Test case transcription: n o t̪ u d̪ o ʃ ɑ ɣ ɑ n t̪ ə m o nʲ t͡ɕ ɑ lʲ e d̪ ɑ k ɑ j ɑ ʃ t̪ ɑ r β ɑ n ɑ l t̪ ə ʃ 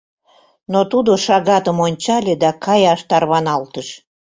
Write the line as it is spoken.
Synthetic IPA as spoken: n o t̪ u d̪ o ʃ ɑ ɣ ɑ t̪ ə m o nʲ t͡ɕ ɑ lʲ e d̪ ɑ k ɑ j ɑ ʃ t̪ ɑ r β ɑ n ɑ l t̪ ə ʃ